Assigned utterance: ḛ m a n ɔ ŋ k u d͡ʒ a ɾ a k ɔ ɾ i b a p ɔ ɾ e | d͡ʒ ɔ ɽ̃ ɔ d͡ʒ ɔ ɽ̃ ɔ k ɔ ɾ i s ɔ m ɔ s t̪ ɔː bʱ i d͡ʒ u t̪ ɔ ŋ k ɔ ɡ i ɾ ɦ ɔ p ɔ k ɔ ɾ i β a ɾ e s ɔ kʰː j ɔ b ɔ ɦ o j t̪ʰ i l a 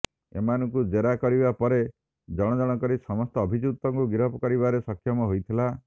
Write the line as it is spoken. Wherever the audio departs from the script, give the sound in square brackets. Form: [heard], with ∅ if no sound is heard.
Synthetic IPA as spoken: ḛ m a n ɔ ŋ k u d͡ʒ [e] ɾ a k ɔ ɾ i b a p ɔ ɾ e | d͡ʒ ɔ ɽ̃ ɔ d͡ʒ ɔ ɽ̃ ɔ k ɔ ɾ i s ɔ m ɔ s t̪ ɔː bʱ i d͡ʒ u t̪ ɔ ŋ k [u] ɡ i ɾ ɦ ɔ p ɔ k ɔ ɾ i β a ɾ e s ɔ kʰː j ɔ [m] ɔ ɦ o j t̪ʰ i l a